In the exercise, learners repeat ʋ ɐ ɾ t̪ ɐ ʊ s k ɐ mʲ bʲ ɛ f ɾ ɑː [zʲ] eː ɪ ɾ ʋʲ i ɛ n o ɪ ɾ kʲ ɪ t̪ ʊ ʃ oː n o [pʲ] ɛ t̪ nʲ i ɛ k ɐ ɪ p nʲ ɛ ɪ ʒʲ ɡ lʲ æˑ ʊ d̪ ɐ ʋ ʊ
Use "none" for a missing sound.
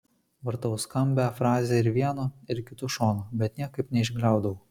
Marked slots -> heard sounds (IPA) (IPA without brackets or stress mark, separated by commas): zʲ, bʲ